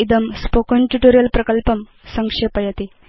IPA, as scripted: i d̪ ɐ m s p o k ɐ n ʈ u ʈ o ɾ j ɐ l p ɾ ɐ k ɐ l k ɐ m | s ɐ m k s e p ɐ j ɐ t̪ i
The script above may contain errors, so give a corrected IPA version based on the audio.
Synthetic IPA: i d̪ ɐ m s p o k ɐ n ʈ u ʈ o ɾ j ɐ l p ɾ ɐ k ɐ l p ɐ m | s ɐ ŋ k ʂ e p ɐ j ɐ t̪ i